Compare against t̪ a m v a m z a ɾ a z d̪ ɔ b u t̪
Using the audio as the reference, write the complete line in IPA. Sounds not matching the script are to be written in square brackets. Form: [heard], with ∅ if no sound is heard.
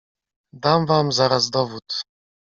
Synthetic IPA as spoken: [d̪] a m v a m z a ɾ a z d̪ ɔ [v] u t̪